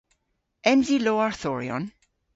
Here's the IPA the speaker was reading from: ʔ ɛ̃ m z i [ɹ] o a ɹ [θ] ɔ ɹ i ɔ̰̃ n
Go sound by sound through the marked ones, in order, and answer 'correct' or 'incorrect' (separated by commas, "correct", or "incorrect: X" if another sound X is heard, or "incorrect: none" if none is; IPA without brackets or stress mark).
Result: incorrect: l, correct